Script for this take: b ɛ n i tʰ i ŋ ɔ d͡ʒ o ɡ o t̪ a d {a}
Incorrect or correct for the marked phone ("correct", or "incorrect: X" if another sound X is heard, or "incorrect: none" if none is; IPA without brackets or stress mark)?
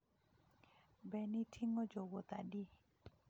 incorrect: i